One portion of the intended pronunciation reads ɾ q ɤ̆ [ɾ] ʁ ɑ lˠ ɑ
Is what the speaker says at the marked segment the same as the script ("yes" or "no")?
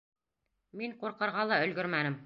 yes